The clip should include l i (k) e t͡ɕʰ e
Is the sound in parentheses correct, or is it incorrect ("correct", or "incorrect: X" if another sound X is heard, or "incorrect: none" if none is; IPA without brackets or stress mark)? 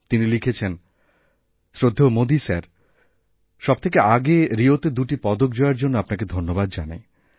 incorrect: kʰ